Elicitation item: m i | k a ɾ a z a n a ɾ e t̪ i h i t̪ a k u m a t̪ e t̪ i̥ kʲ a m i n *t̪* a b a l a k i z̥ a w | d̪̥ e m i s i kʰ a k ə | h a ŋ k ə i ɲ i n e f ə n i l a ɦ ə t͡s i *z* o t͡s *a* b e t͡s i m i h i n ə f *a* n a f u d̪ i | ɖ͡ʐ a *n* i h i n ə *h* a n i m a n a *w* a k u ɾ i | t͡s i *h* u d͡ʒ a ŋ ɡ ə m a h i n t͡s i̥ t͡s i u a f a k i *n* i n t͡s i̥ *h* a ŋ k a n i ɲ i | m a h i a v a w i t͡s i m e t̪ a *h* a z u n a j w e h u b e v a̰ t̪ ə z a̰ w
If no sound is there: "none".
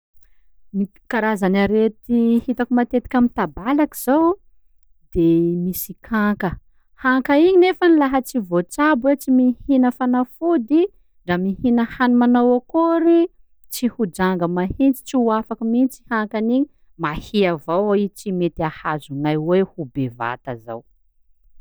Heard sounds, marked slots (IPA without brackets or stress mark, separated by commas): t̪, v, a, a, m, h, w, h, m, h, h